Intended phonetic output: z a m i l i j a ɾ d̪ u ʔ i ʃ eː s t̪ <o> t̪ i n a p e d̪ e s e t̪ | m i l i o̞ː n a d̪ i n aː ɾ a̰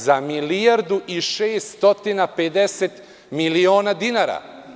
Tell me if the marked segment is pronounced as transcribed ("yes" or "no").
yes